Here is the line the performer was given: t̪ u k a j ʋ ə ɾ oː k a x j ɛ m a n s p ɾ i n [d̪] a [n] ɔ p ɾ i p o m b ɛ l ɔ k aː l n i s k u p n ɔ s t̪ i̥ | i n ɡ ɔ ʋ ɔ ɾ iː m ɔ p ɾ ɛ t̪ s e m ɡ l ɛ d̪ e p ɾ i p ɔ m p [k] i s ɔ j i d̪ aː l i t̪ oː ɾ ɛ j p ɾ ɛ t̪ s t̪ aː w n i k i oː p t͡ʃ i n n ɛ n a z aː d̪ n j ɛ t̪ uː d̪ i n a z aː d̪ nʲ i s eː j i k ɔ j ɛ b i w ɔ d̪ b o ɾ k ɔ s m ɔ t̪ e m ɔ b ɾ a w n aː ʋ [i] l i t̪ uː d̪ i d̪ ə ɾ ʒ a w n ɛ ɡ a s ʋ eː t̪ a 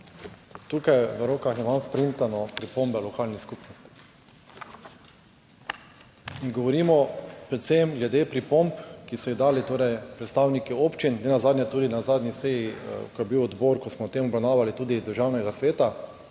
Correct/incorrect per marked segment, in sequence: incorrect: t̪, correct, correct, incorrect: a

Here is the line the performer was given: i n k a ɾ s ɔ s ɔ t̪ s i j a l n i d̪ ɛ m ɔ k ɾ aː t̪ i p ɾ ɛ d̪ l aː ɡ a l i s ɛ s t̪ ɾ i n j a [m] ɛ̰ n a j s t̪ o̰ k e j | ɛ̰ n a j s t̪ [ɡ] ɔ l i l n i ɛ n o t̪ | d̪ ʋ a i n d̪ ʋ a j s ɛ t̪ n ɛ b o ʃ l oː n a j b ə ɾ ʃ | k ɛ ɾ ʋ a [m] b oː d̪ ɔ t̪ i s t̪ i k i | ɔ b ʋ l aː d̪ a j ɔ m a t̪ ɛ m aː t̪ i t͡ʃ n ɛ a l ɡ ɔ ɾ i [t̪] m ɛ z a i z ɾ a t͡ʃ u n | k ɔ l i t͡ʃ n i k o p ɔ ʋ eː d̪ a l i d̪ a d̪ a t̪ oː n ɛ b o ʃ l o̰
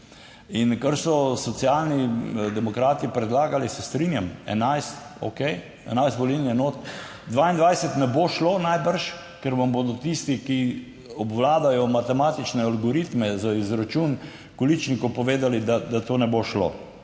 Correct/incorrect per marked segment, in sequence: correct, incorrect: b, correct, correct

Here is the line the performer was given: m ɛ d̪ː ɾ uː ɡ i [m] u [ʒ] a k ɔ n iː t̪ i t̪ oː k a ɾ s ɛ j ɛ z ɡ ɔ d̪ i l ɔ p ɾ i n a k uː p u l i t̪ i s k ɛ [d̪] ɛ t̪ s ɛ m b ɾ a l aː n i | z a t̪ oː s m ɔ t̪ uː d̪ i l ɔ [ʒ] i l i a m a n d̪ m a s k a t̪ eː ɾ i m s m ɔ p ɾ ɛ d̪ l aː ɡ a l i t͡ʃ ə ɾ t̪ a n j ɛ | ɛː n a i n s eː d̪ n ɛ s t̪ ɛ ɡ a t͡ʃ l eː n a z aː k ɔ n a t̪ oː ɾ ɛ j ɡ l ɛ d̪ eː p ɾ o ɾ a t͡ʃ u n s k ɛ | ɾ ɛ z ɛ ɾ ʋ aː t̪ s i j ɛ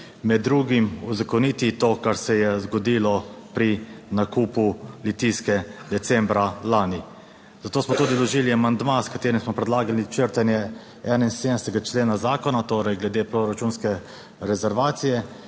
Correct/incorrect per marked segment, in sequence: correct, incorrect: z, correct, correct

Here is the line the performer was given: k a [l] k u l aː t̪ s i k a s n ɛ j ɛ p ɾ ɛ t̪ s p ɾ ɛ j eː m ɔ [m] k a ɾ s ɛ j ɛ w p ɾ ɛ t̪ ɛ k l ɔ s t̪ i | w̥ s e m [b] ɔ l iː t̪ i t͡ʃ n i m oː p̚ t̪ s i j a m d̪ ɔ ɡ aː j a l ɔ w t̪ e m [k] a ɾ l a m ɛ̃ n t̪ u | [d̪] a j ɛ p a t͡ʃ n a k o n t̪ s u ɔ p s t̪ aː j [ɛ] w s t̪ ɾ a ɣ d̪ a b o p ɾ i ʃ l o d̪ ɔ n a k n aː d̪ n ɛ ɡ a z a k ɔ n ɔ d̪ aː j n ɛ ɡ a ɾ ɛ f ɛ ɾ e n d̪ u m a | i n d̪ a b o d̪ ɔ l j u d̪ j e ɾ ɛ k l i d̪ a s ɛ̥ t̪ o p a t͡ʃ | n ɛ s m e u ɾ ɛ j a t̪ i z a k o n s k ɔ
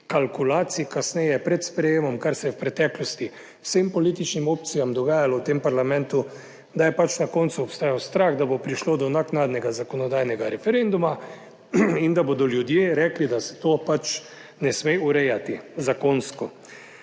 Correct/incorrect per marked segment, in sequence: correct, correct, incorrect: p, incorrect: p, correct, incorrect: a

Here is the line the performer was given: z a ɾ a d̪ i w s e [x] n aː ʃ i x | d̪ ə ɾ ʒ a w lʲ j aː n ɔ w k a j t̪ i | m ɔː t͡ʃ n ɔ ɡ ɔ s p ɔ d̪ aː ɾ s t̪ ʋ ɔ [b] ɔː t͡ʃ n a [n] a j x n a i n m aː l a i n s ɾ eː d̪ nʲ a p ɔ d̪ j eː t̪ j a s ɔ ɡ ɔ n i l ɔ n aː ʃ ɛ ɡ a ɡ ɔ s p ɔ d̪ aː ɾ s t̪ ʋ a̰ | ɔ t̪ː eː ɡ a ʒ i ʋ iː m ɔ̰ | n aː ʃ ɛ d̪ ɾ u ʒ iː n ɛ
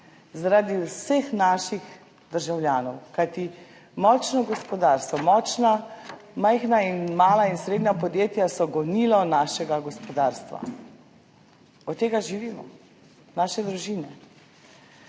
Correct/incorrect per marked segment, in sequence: correct, incorrect: m, incorrect: m

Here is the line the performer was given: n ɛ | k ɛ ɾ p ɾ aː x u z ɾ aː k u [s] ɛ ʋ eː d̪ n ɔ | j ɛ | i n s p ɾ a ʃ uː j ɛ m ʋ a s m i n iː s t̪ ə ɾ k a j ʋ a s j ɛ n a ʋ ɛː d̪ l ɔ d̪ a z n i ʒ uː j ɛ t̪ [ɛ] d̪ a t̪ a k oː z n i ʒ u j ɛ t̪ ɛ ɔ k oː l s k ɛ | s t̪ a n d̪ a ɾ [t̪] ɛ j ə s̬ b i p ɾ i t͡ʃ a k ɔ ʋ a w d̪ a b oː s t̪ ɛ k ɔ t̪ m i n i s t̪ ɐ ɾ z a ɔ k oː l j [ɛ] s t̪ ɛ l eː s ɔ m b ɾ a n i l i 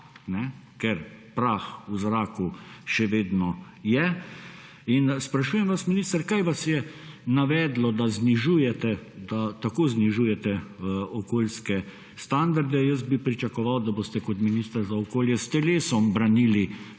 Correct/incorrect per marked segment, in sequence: incorrect: ʃ, correct, incorrect: d̪, correct

